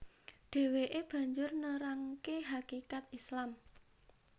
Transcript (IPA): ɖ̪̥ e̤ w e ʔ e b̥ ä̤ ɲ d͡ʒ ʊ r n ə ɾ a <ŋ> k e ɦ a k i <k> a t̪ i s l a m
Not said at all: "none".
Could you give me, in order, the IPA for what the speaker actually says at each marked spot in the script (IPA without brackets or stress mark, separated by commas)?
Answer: ŋ, k